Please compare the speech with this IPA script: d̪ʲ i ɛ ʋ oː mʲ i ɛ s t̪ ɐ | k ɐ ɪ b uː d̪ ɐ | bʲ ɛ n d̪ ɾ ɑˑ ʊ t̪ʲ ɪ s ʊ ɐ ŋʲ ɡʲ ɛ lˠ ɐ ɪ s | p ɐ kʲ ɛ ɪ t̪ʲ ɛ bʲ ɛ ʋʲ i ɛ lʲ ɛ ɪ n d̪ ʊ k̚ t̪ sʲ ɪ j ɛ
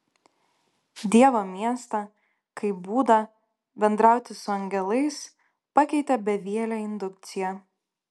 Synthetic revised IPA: d̪ʲ i ɛ ʋ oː mʲ i ɛ s t̪ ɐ | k ɐ ɪ b uː d̪ ɐ | bʲ ɛ n d̪ ɾ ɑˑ ʊ t̪ʲ ɪ s ʊ ɐ ŋʲ ɡʲ ɛ lˠ ɐ ɪ s | p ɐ kʲ ɛ ɪ t̪ʲ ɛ bʲ ɛ ʋʲ i ɛ lʲ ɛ ɪ n d̪ ʊ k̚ t̪ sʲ ɪ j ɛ